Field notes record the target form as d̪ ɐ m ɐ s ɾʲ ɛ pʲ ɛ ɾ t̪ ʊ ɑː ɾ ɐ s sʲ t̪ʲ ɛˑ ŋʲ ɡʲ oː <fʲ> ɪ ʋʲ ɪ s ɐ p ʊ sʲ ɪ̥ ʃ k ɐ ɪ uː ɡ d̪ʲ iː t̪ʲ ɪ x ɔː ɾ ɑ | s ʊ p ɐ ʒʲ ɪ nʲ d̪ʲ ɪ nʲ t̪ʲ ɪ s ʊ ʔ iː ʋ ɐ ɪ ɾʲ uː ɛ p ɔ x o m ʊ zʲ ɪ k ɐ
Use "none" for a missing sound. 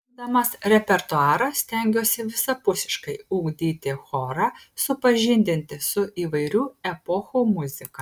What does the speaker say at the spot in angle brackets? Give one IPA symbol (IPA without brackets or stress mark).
sʲ